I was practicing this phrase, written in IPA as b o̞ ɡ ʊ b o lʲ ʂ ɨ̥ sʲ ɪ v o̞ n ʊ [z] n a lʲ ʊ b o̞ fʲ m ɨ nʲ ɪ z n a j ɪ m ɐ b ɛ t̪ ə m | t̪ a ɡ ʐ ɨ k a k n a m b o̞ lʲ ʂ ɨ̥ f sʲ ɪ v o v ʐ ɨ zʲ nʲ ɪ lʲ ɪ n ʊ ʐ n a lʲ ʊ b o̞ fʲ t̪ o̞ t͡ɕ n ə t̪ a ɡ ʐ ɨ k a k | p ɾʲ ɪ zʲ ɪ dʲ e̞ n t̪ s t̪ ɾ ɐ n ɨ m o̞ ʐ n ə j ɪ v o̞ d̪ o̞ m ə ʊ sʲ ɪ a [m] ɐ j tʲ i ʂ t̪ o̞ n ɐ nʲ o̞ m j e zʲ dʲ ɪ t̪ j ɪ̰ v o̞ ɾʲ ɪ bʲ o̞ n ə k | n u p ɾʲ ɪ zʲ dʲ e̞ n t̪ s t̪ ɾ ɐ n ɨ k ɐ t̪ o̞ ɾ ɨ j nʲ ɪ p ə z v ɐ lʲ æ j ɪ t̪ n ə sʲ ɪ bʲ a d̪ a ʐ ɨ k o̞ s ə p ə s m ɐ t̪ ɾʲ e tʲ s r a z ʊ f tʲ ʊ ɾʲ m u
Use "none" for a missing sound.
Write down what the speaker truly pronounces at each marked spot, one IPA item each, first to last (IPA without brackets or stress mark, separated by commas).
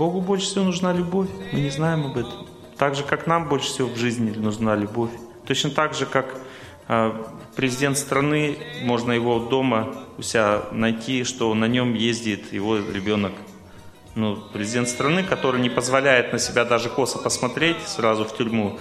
ʐ, n